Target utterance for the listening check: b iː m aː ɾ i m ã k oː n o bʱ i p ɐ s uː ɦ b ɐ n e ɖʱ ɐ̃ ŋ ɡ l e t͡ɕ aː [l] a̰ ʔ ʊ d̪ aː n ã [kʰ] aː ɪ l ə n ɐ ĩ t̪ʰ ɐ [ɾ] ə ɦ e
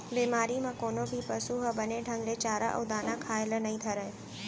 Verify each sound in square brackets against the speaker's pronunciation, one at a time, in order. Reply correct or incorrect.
incorrect, correct, correct

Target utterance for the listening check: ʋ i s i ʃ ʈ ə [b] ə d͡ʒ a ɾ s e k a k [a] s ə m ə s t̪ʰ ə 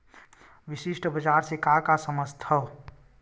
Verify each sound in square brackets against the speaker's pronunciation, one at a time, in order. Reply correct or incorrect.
correct, correct

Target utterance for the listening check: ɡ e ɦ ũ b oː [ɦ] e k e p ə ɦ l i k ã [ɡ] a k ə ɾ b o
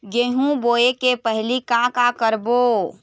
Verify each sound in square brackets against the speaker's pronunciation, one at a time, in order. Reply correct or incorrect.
incorrect, incorrect

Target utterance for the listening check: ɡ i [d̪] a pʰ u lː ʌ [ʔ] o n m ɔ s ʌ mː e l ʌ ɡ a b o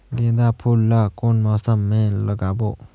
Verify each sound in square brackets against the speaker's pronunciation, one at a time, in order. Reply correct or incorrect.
correct, incorrect

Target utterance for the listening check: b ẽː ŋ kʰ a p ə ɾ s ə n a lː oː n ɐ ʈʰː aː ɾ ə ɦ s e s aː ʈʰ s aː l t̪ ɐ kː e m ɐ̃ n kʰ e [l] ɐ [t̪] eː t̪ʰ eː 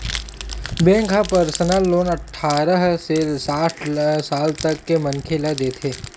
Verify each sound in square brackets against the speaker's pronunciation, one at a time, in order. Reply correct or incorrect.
correct, incorrect

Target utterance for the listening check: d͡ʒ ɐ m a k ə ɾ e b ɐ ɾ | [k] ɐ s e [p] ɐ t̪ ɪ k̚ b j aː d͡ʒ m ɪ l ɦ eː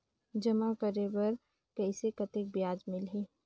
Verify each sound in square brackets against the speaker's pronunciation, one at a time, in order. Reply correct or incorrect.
correct, incorrect

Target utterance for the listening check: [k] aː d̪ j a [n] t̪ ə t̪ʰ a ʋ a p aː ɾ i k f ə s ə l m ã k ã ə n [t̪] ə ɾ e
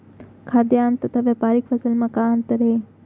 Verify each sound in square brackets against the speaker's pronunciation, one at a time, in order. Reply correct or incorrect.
incorrect, correct, correct

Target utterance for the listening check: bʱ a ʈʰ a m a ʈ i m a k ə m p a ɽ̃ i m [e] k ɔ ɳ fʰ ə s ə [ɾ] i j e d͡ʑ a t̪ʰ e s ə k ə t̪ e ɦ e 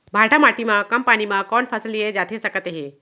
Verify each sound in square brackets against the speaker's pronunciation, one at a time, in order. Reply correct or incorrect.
incorrect, incorrect

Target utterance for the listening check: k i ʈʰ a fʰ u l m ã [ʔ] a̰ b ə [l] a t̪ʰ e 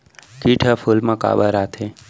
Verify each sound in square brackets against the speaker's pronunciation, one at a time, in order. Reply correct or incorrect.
incorrect, incorrect

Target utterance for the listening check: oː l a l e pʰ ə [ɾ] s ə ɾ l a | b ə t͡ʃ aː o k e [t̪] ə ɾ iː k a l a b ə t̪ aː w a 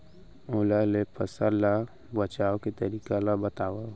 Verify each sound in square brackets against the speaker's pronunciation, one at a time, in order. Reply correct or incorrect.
incorrect, correct

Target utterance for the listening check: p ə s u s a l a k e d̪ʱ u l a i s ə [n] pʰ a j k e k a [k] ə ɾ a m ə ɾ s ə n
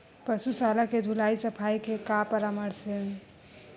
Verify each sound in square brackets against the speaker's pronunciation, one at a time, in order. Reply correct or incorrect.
incorrect, incorrect

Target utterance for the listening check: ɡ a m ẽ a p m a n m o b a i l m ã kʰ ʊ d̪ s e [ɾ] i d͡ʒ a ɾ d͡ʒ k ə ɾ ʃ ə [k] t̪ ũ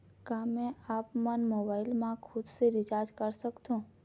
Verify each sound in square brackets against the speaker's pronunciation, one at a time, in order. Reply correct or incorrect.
correct, correct

